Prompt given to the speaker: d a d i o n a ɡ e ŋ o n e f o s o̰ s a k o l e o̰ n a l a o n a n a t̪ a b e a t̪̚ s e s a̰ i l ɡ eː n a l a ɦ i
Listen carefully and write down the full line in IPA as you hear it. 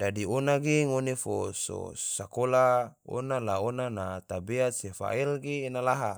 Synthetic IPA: d a d i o n a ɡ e ŋ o n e f o s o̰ s a k o l a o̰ n a l a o n a n a t̪ a b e a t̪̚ s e f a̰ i l ɡ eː n a l a ɦ a